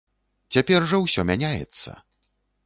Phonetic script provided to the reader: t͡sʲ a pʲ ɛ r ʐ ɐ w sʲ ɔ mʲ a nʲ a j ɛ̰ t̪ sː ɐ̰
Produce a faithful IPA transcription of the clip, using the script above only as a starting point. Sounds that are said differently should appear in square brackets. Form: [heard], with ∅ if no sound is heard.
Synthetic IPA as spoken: t͡sʲ a pʲ ɛ r ʐ ɐ w sʲ ɔ mʲ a nʲ a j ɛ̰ t̪ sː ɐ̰